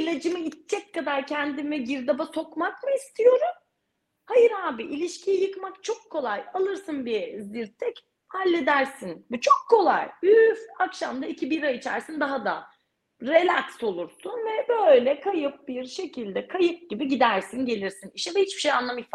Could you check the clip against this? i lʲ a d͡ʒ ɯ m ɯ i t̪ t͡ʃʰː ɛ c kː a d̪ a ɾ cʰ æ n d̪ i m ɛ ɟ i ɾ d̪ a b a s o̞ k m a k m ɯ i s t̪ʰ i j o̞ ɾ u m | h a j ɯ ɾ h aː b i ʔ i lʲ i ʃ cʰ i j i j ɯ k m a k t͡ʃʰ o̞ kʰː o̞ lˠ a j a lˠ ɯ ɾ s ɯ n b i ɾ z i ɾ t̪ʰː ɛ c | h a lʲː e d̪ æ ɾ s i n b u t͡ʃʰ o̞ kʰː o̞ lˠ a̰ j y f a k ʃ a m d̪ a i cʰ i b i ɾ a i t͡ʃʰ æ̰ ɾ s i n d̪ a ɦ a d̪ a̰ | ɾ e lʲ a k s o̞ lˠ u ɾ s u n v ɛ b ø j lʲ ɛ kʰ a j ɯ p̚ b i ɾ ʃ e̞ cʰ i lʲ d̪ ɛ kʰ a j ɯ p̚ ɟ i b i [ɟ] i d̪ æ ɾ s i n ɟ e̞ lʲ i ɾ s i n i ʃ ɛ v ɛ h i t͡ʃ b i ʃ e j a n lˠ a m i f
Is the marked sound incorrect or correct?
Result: correct